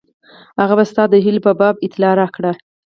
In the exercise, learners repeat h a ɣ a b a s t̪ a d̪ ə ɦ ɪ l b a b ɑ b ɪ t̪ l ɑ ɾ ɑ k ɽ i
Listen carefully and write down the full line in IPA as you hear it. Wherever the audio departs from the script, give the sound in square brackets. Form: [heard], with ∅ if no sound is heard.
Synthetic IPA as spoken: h a ɣ a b a s t̪ [ɑ] d̪ ə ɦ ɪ l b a b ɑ b ɪ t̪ l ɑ ɾ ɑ k ɽ [a]